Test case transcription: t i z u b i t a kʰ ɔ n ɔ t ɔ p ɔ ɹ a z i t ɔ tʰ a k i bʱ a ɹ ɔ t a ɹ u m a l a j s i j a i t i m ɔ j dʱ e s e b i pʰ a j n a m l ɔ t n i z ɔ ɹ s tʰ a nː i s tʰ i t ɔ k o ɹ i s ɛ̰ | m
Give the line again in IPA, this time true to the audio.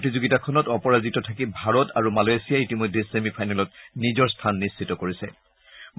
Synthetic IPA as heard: t i z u ɡ i t a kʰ ɔ n ɔ t ɔ p ɔ ɹ a z i t ɔ tʰ a k i bʱ a ɹ ɔ t a ɹ u m a l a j s i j a i t i m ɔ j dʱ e s e m i pʰ a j n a l ɔ t n i z ɔ ɹ s tʰ a nː i s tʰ i t ɔ k o ɹ i s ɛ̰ | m